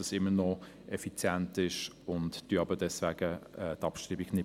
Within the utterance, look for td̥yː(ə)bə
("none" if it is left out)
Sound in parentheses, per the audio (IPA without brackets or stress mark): ɑ